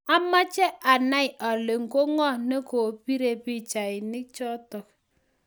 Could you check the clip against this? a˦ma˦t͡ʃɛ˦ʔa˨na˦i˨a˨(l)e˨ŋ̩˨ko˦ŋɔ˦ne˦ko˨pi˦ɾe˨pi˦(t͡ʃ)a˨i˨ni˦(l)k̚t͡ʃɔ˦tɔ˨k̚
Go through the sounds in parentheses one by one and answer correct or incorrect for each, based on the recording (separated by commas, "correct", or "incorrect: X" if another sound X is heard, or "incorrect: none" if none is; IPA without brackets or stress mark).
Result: correct, correct, incorrect: none